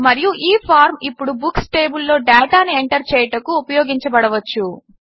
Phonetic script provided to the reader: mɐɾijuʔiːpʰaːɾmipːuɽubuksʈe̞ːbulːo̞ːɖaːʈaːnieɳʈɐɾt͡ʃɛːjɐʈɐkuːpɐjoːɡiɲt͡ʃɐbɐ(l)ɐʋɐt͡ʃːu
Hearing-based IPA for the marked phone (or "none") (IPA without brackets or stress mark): ɽ